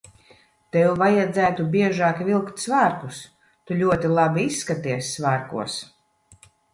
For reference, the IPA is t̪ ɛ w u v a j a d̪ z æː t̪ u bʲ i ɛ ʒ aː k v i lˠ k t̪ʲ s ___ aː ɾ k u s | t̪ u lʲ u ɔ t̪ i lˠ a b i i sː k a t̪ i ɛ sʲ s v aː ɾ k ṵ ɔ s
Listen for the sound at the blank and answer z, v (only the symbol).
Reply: v